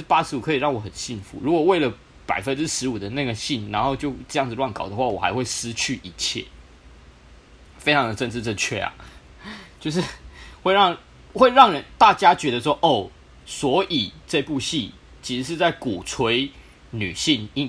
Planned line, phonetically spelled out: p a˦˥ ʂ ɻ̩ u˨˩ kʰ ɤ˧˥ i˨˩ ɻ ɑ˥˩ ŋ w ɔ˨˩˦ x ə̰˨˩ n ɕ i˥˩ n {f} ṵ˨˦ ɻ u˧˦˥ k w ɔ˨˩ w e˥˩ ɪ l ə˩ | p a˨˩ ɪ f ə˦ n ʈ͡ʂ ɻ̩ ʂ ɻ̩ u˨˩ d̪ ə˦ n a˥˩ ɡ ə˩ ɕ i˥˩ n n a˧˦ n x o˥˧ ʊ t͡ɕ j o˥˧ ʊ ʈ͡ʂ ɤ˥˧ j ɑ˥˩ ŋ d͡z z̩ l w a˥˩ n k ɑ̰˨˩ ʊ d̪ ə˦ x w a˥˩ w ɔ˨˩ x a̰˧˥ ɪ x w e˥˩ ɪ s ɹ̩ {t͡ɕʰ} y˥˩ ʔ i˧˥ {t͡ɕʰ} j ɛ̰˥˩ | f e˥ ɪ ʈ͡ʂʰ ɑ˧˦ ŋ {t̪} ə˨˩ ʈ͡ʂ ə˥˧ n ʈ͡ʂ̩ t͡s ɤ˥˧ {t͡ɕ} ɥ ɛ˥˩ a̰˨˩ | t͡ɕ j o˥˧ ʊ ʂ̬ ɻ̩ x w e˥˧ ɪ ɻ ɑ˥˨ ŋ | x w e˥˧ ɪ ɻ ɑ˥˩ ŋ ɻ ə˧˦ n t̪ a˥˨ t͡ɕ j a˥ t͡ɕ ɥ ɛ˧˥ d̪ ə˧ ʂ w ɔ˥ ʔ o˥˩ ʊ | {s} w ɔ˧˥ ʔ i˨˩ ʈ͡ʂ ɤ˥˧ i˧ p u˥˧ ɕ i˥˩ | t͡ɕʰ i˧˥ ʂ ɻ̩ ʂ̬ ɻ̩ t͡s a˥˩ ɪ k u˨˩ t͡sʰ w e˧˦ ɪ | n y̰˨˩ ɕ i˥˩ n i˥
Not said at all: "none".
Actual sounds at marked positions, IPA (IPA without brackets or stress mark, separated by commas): f, t͡ɕʰ, t͡ɕʰ, d̪, t͡ɕʰ, s